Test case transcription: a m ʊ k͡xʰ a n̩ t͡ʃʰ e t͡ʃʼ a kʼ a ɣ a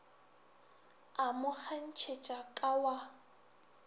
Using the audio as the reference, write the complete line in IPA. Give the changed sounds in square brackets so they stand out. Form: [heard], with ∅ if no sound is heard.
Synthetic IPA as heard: a m ʊ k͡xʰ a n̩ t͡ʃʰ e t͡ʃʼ a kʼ a [w] a